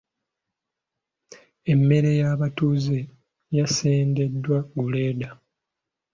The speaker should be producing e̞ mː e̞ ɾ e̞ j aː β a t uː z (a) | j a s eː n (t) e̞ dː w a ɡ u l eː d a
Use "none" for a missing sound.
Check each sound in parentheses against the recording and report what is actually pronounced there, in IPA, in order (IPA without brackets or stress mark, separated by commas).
e, d